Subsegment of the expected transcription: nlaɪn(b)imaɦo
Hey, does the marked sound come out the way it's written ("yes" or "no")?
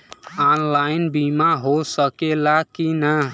yes